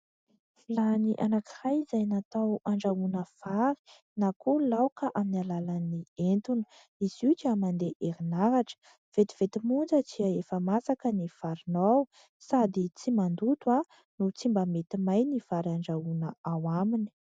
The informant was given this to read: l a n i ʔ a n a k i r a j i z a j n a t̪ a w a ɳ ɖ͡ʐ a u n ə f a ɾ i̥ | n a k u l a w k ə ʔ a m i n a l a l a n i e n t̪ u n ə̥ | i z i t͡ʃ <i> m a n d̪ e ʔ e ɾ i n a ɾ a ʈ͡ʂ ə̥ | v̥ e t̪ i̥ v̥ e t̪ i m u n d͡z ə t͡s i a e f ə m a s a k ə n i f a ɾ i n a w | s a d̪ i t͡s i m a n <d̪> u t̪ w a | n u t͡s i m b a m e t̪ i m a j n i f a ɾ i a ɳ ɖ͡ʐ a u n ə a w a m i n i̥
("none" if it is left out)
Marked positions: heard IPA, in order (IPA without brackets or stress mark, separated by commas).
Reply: a, d̪